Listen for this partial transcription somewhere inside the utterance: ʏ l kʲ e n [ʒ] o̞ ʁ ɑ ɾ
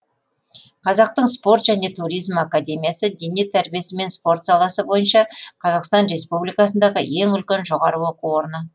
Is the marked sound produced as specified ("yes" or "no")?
yes